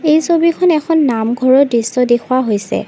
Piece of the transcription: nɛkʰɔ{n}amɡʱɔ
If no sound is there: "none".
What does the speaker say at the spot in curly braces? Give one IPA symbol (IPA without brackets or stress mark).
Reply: nː